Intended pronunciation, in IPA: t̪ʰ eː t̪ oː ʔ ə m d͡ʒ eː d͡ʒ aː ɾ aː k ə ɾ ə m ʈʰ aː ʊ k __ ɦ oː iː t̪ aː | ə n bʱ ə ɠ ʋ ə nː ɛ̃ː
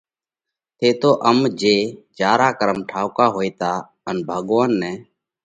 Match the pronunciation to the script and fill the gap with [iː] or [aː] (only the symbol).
aː